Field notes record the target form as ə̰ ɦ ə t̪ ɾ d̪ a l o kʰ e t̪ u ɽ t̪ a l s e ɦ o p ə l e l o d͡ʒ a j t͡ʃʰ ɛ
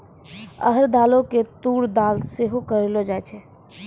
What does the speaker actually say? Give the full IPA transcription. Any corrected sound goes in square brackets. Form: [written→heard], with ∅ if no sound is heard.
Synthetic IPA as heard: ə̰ ɦ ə [t̪→∅] ɾ d̪ a l o [kʰ→k] e t̪ u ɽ [t̪→d̪] a l s e ɦ o [p→k] ə [l→ɾ] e l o d͡ʒ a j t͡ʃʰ ɛ